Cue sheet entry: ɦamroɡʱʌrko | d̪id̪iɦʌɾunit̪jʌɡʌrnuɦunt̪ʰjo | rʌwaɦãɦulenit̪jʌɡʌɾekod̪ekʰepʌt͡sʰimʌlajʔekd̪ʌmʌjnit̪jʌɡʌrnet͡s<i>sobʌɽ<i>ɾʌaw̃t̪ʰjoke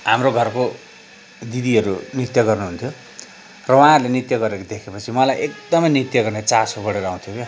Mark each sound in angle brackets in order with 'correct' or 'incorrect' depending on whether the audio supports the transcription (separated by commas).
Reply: incorrect, incorrect